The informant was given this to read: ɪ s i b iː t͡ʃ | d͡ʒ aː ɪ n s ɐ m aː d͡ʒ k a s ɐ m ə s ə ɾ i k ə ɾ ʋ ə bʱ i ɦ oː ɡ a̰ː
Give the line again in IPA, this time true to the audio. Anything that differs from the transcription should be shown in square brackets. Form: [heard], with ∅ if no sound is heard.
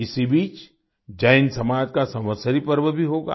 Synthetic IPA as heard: ɪ s i b iː t͡ʃ | d͡ʒ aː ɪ n s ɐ m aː d͡ʒ k a s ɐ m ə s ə ɾ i [p] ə ɾ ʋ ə bʱ i ɦ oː ɡ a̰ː